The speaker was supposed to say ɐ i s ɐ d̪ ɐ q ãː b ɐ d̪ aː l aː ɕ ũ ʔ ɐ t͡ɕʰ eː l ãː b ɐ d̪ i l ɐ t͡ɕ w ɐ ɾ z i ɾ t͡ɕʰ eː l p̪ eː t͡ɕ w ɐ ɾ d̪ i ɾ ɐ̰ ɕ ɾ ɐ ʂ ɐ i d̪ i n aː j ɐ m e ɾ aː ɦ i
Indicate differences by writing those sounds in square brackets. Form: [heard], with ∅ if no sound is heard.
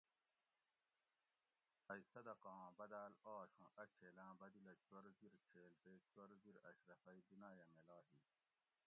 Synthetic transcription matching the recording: ɐ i s ɐ d̪ ɐ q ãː b ɐ d̪ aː l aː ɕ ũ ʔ ɐ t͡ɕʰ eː l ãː b ɐ d̪ i l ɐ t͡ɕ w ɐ ɾ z i ɾ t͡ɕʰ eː l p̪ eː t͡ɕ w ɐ ɾ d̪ i ɾ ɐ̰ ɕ ɾ ɐ [f] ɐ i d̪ i n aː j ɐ m e [l] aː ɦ i